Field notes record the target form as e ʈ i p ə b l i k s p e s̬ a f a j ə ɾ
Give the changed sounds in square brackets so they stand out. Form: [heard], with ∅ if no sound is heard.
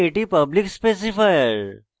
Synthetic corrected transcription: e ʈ i p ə b l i k s p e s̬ [i] f a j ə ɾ